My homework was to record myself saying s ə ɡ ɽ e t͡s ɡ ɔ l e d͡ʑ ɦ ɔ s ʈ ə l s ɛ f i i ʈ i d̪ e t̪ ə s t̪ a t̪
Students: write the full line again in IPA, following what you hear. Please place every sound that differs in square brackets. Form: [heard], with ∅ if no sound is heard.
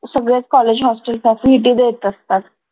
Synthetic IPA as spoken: s ə ɡ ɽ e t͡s [k] ɔ l e d͡ʑ ɦ ɔ s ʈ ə l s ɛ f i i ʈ i d̪ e t̪ ə s t̪ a t̪